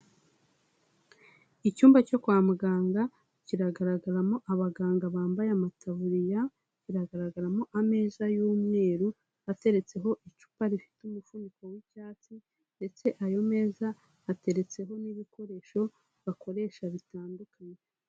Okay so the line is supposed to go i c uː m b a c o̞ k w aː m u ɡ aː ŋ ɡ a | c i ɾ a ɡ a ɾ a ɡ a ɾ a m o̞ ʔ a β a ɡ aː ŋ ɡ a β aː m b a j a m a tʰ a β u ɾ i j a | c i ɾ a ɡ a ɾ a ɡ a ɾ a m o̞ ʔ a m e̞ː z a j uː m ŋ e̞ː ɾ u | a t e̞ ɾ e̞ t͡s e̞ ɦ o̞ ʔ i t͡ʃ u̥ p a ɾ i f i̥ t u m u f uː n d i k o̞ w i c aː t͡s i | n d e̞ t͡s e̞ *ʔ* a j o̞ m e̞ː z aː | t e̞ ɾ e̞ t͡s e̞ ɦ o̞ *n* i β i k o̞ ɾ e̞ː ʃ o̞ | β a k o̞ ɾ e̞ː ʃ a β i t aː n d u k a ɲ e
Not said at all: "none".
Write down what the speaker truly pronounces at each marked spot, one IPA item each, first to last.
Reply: ʔ, n

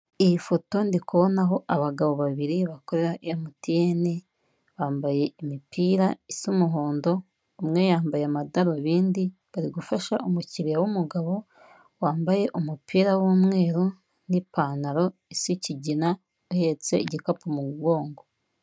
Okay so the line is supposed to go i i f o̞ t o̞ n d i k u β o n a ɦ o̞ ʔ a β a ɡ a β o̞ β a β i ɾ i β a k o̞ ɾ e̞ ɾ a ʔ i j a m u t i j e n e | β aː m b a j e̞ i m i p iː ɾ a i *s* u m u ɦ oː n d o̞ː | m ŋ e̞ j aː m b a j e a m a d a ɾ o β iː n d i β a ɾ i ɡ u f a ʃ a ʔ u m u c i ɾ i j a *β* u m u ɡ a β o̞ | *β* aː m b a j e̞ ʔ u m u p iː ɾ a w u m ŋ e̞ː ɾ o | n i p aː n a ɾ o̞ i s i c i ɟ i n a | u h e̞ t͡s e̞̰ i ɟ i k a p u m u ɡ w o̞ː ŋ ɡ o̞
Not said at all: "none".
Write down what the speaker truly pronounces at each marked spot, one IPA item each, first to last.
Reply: s, w, w

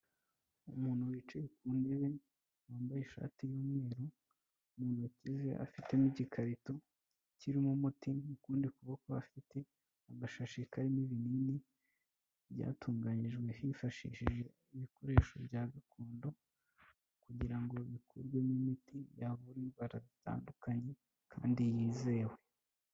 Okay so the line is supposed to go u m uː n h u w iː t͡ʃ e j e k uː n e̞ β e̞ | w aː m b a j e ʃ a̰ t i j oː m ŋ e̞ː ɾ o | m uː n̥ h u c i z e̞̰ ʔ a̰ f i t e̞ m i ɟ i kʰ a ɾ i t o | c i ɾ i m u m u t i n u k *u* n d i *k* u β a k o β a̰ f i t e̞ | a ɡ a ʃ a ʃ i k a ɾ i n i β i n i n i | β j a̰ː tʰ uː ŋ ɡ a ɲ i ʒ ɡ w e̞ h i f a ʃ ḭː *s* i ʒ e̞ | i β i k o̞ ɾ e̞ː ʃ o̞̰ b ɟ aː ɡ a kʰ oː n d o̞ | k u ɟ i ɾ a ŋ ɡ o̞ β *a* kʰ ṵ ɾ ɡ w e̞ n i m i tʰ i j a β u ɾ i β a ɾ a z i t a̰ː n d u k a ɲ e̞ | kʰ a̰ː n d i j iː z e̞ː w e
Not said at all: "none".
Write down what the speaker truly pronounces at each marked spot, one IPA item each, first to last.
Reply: uː, k, ʃ, i

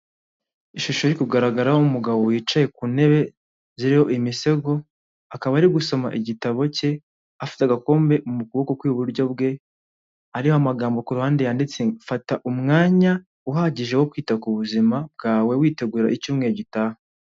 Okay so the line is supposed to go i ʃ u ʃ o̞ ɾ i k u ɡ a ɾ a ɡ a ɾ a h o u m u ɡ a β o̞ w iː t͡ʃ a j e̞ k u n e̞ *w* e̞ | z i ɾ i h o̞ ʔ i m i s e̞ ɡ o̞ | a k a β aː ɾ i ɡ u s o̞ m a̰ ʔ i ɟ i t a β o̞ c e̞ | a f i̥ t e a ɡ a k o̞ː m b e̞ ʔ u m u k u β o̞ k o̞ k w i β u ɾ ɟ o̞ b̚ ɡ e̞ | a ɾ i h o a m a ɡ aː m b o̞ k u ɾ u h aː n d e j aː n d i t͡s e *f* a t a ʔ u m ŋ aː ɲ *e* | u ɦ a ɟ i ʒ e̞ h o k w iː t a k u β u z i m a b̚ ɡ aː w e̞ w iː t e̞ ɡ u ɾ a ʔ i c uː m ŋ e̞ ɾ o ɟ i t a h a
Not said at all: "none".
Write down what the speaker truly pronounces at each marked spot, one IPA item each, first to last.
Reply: β, f, a

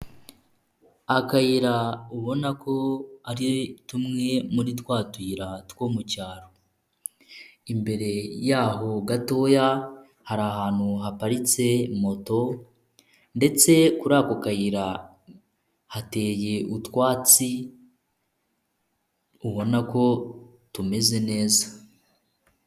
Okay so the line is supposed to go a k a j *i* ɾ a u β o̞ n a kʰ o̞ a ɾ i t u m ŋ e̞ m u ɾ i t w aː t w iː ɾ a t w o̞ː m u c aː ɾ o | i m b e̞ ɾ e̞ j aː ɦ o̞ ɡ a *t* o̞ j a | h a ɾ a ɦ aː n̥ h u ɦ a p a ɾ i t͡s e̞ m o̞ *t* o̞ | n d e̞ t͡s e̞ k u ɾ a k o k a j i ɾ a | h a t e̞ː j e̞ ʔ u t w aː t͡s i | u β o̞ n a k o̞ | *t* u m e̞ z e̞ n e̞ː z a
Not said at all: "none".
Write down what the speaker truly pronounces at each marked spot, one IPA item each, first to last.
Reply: i, t, t, t

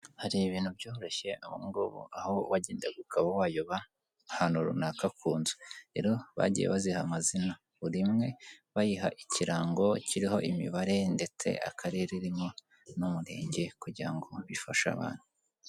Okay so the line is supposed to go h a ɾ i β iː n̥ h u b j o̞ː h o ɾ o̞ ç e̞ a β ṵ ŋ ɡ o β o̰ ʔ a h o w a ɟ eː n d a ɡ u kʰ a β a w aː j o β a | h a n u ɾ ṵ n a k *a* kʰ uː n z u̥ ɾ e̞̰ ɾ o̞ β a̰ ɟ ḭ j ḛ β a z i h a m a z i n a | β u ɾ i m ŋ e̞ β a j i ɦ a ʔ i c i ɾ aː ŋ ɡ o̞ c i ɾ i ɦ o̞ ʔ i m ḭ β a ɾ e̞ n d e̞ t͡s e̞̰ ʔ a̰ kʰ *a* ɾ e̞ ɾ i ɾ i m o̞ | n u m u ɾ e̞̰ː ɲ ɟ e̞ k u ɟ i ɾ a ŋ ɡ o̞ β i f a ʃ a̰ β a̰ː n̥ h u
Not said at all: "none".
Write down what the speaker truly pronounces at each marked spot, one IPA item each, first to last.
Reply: a, a

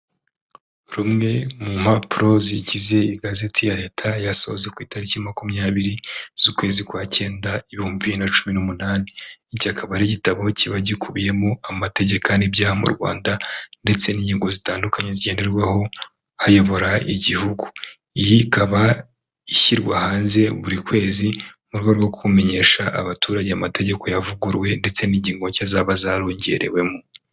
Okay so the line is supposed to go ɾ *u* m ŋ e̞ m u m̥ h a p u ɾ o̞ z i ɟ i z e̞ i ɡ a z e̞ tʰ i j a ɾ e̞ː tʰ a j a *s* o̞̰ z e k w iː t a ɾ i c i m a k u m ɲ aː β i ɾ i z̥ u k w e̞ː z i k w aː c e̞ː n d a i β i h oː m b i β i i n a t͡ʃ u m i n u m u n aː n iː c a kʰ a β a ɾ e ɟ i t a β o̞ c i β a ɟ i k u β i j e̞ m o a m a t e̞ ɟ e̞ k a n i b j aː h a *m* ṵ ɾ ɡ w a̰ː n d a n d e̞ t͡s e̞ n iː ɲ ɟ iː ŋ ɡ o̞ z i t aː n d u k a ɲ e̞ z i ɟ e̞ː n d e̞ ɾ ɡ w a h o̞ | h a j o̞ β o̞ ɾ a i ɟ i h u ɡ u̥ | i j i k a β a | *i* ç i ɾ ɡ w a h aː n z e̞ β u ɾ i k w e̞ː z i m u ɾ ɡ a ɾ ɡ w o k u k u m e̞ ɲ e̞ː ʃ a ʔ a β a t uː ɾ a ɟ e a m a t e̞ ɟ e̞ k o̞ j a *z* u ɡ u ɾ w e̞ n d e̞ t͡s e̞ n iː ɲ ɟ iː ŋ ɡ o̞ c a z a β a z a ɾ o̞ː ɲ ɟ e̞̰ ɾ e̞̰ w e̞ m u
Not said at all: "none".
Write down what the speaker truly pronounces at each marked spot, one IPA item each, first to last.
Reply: u, s, m, i, v

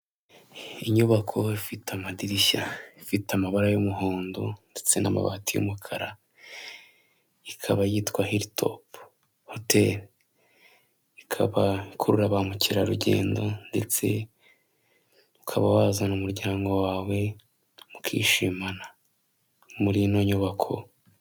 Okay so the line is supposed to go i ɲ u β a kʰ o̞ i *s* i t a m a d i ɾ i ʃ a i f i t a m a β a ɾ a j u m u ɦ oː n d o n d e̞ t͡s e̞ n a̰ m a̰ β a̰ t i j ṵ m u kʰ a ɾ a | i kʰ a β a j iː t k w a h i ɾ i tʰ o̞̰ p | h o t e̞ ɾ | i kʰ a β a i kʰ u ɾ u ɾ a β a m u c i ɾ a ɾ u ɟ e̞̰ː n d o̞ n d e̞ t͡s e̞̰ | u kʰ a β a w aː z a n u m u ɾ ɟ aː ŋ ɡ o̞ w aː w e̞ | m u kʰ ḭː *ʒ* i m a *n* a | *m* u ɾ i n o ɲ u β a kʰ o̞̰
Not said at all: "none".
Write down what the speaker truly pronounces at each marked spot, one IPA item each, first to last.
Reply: f, ʃ, n, m

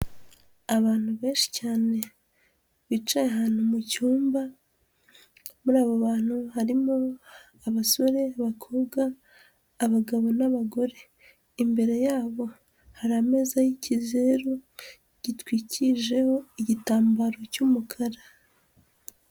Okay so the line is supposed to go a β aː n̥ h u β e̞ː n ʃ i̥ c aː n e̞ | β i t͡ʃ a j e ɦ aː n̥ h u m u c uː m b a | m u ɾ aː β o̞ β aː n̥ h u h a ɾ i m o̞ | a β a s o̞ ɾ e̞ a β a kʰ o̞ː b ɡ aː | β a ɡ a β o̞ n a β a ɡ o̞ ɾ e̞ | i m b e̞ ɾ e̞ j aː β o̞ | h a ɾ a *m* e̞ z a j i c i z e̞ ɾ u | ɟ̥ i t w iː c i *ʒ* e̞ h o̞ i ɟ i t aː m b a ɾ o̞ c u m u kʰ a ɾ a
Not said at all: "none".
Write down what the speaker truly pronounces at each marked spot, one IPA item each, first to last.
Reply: m, ʒ

